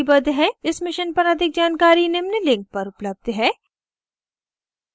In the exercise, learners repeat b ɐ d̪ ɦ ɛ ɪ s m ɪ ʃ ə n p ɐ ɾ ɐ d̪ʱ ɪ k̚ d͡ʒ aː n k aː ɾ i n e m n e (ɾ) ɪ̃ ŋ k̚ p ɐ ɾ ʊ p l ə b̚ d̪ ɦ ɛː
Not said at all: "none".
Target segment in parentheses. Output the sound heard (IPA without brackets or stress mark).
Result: l